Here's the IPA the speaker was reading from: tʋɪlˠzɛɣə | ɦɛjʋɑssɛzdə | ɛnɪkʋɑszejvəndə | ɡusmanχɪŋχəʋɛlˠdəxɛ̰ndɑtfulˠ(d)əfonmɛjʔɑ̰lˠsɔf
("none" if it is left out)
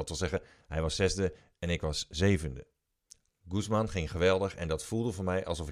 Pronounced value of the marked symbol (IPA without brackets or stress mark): d